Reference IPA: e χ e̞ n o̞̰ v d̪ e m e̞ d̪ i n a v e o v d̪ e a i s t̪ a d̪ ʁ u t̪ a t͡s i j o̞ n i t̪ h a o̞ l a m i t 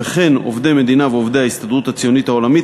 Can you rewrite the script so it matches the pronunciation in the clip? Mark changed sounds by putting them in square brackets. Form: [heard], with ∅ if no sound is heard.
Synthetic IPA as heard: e χ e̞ n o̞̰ v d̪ e m e̞ d̪ i n a v e o v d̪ e a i s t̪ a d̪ ʁ u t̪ a t͡s i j o̞ n i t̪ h a o̞ l a m i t